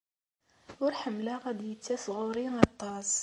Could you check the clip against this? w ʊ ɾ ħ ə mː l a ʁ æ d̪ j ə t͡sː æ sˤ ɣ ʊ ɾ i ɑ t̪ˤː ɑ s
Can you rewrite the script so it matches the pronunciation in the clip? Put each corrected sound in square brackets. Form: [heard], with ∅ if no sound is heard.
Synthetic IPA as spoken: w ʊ ɾ ħ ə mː l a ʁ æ d̪ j ə t͡sː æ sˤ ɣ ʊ ɾ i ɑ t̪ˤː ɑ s